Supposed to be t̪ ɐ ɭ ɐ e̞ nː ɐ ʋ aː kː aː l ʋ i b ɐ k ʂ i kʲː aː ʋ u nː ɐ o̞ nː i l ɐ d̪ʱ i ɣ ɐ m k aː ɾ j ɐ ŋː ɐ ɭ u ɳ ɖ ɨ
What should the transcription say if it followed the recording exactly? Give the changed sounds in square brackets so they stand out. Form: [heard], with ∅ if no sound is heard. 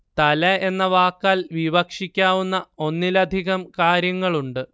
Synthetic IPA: t̪ ɐ [l] ɐ e̞ nː ɐ ʋ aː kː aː l ʋ i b ɐ k ʂ i kʲː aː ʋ u nː ɐ o̞ nː i l ɐ d̪ʱ i ɣ ɐ m k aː ɾ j ɐ ŋː ɐ ɭ u ɳ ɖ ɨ